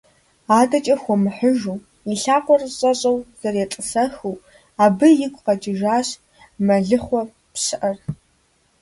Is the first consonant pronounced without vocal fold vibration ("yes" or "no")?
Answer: no